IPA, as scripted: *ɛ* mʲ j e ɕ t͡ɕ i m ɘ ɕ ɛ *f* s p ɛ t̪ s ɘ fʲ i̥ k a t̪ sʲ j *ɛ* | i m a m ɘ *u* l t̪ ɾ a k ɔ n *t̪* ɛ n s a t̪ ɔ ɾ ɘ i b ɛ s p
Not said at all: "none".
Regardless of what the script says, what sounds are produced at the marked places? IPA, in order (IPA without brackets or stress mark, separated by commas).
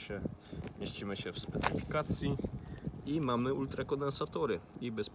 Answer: ɛ, f, i, u, d̪